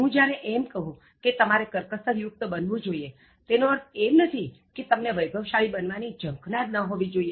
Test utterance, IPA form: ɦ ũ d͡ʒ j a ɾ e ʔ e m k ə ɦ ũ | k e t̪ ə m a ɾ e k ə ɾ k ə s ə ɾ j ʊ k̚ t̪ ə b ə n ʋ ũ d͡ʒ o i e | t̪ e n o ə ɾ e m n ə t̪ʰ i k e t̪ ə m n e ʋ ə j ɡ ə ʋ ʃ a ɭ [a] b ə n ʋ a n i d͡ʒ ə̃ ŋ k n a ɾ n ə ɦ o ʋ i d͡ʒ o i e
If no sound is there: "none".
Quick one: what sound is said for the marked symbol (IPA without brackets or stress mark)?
i